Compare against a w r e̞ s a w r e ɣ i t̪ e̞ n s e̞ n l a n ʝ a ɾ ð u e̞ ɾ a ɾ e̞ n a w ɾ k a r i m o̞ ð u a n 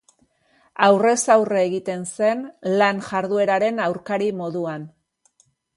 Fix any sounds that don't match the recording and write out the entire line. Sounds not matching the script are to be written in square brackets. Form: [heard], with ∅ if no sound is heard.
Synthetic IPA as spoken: a w r e̞ s a w r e ɣ i t̪ e̞ n s e̞ n l a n ʝ a ɾ ð u e̞ ɾ a ɾ e̞ n a w ɾ k a [ɾ] i m o̞ ð u a n

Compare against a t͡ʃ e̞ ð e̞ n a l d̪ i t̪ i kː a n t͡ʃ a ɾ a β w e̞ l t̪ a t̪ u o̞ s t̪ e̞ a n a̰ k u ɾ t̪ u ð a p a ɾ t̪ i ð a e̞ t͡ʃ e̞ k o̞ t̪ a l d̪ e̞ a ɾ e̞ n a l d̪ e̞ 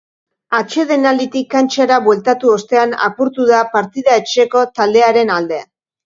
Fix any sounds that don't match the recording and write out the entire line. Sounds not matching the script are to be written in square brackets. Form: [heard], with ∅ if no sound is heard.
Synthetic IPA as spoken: a t͡ʃ e̞ ð e̞ n a l d̪ i t̪ i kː a n t͡ʃ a ɾ a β w e̞ l t̪ a t̪ u o̞ s t̪ e̞ a n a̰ [p] u ɾ t̪ u ð a p a ɾ t̪ i ð a e̞ t͡ʃ e̞ k o̞ t̪ a l d̪ e̞ a ɾ e̞ n a l d̪ e̞

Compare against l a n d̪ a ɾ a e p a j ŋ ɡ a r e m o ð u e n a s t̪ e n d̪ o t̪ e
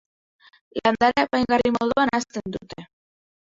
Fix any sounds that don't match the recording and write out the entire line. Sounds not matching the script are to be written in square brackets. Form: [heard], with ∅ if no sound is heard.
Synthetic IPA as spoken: l a n d̪ a ɾ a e p a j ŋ ɡ a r [i] m o ð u [a] n a s t̪ e n d̪ [u] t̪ e

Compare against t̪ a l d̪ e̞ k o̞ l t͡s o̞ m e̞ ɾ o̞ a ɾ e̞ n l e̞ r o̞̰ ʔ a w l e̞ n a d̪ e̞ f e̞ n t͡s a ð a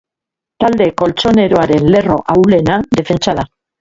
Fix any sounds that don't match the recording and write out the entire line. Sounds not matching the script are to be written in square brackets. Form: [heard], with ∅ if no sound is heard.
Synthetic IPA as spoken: t̪ a l d̪ e̞ k o̞ l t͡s o̞ [n] e̞ ɾ o̞ a ɾ e̞ n l e̞ r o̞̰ ʔ a w l e̞ n a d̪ e̞ f e̞ n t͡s a ð a

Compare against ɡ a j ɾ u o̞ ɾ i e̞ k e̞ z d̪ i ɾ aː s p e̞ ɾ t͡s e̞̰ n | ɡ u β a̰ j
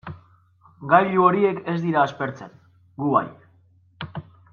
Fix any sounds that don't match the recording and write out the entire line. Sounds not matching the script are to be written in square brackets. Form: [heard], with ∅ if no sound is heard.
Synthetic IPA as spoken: ɡ a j [ʎ] u o̞ ɾ i e̞ k e̞ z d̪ i ɾ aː s p e̞ ɾ t͡s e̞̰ n | ɡ u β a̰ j

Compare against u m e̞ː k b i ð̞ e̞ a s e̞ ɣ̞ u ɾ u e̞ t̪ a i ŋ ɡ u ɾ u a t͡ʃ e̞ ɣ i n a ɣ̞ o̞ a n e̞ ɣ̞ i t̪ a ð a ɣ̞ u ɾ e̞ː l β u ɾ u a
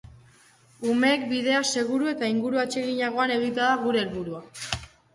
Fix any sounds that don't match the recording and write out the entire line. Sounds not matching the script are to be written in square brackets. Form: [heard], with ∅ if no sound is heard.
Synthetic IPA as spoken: u m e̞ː k b i ð̞ e̞ a s e̞ ɣ̞ u ɾ u e̞ t̪ a i ŋ ɡ u ɾ u a t͡ʃ e̞ ɣ i [ɲ] a ɣ̞ o̞ a n e̞ ɣ̞ i t̪ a ð a ɣ̞ u ɾ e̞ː l β u ɾ u a

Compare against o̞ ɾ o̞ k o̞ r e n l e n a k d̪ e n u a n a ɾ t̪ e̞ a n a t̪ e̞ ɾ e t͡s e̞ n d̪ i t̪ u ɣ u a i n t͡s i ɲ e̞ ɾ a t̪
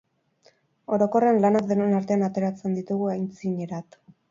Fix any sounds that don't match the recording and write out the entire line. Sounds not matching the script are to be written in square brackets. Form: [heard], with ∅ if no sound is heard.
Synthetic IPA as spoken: o̞ ɾ o̞ k o̞ r e n l [a] n a k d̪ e n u [e] n a ɾ t̪ e̞ a n a t̪ e̞ ɾ [a] t͡s e̞ n d̪ i t̪ u ɣ u a [j] n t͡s i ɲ e̞ ɾ a t̪

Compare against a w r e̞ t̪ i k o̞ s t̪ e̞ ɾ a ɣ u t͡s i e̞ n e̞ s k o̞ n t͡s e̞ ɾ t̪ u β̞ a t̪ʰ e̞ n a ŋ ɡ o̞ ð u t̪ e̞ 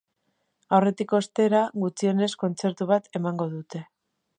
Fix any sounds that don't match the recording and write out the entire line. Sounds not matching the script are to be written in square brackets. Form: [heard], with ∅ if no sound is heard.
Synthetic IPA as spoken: a w r e̞ t̪ i k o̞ s t̪ e̞ ɾ a ɣ u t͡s i e̞ n e̞ s k o̞ n t͡s e̞ ɾ t̪ u β̞ a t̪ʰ e̞ [m] a ŋ ɡ o̞ ð u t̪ e̞

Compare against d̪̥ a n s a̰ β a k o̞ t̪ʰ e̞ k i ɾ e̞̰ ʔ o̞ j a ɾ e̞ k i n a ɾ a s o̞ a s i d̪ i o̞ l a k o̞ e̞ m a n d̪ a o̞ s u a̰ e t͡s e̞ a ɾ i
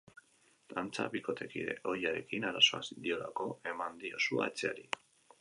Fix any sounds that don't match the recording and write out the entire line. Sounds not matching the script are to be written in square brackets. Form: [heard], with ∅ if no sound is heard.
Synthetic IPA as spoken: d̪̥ a n [t͡s] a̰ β [i] k o̞ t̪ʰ e̞ k i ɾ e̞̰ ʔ o̞ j a ɾ e̞ k i n a ɾ a s o̞ a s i d̪ i o̞ l a k o̞ e̞ m a n d̪ [i] o̞ s u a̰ e t͡s e̞ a ɾ i

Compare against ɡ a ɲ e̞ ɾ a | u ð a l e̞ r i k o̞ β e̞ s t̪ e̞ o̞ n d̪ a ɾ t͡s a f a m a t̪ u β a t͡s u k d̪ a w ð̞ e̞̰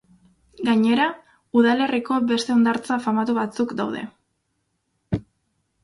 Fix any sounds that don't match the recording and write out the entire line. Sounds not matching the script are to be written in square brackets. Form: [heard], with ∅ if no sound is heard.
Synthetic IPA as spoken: ɡ a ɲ e̞ ɾ a | u ð a l e̞ r i k o̞ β e̞ s t̪ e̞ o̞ n d̪ a ɾ t͡s a f a m a t̪ u β a t͡s u k d̪ a w ð̞ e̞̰

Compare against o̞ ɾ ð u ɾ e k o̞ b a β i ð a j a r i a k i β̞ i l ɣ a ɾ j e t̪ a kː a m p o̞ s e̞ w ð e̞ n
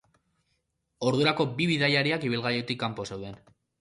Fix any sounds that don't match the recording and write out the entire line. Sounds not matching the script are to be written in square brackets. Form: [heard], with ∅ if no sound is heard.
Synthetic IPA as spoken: o̞ ɾ ð u ɾ [a] k o̞ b [i] β i ð a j a [ɾ] i a k i β̞ i l ɣ a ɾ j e t̪ [i] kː a m p o̞ s e̞ w ð e̞ n

